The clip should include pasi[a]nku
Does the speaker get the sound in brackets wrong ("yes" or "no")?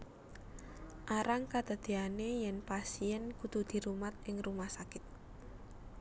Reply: yes